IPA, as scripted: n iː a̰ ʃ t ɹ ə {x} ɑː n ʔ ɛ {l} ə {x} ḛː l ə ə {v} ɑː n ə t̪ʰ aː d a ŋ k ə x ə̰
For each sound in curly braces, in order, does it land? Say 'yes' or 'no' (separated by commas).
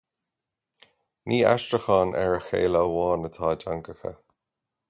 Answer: yes, no, yes, no